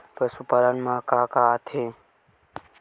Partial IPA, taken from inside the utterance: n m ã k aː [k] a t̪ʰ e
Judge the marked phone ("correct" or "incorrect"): correct